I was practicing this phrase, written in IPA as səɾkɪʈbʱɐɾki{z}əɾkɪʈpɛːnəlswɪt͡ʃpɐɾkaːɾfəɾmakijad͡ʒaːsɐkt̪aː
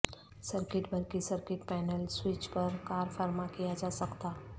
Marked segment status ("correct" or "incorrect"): incorrect